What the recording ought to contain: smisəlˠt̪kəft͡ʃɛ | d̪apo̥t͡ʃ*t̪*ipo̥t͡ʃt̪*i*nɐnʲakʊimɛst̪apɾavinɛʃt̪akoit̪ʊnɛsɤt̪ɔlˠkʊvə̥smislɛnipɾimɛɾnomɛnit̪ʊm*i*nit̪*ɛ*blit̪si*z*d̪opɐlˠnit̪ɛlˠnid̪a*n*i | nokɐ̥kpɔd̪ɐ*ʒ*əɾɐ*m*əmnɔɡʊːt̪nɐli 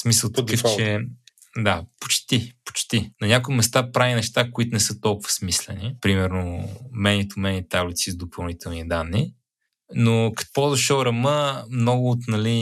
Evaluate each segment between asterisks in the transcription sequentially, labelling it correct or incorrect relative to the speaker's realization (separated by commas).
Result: correct, correct, incorrect, incorrect, correct, incorrect, incorrect, correct